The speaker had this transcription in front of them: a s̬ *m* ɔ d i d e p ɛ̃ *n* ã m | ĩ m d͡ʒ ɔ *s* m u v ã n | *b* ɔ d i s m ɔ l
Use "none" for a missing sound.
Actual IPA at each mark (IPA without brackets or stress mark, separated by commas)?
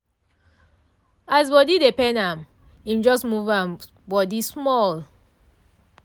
b, n, s, b